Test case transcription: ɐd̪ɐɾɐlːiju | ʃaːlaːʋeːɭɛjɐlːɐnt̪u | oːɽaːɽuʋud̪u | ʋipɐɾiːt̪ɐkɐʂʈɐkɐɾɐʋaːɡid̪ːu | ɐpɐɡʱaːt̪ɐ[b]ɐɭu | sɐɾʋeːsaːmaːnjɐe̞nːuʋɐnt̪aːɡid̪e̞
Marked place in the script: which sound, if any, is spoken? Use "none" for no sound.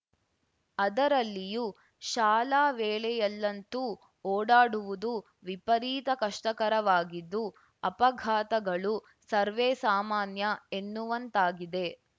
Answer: ɡ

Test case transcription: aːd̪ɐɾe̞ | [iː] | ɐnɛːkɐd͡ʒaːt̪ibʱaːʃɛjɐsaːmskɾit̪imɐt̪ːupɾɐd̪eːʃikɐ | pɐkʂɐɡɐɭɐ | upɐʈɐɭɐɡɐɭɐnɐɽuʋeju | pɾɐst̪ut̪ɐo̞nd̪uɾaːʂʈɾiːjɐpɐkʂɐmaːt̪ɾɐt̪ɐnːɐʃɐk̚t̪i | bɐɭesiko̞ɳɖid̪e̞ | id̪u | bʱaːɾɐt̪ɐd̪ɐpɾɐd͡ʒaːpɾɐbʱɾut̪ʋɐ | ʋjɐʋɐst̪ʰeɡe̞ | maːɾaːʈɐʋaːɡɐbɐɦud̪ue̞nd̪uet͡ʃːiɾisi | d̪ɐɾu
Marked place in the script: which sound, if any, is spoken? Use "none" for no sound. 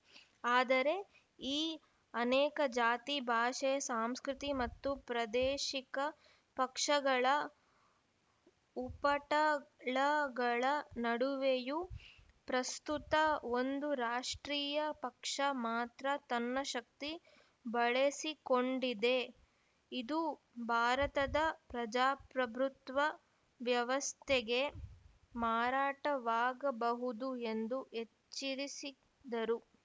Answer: iː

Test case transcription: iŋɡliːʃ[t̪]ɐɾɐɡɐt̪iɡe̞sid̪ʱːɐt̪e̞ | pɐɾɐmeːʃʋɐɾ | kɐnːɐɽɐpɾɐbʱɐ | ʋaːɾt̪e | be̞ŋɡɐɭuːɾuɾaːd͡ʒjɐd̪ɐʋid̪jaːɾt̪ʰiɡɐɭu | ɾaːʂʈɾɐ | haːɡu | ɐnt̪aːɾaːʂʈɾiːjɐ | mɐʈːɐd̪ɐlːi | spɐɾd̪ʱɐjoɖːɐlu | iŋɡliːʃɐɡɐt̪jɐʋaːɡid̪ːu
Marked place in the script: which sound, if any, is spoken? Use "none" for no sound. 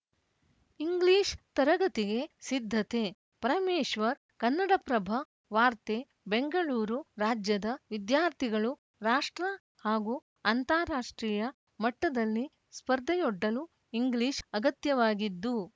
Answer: t̪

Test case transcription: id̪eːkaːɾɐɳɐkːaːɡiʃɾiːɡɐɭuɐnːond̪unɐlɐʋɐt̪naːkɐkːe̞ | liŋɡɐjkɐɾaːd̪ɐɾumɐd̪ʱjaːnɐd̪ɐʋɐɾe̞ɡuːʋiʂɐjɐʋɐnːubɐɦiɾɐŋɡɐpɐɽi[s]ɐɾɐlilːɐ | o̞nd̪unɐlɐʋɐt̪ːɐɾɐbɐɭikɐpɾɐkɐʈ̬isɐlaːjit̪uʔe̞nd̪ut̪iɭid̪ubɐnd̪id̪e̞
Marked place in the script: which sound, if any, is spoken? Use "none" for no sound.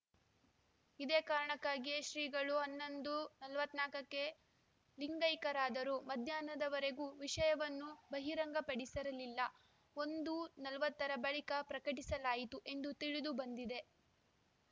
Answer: s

